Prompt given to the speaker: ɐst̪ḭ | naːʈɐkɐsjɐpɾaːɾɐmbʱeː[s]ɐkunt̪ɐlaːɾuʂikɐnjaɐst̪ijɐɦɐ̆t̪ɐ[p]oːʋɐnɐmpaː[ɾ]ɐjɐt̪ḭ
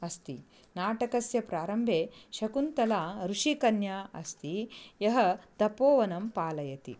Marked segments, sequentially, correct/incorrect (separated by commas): incorrect, correct, incorrect